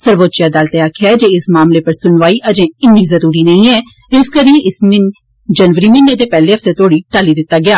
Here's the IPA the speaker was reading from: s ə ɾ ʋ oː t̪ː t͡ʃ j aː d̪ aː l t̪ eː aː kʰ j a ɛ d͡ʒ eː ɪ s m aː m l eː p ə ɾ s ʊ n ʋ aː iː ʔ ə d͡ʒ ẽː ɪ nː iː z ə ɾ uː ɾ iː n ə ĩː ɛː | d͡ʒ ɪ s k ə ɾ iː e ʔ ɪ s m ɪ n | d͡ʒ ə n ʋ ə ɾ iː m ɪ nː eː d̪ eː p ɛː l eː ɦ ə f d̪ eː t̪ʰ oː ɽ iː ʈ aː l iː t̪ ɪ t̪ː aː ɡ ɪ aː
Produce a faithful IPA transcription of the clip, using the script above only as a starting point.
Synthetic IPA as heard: s ə ɾ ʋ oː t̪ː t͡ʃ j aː d̪ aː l t̪ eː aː kʰ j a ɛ d͡ʒ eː ɪ s m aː m l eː p ə ɾ s ʊ n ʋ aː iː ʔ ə d͡ʒ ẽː ɪ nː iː z ə ɾ uː ɾ iː n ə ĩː ɛː | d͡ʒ ɪ s k ə ɾ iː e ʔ ɪ s m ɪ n | d͡ʒ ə n ʋ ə ɾ iː m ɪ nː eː d̪ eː p ɛː l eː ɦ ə f t̪ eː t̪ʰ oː ɽ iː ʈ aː l iː d̪ ɪ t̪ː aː ɡ ɪ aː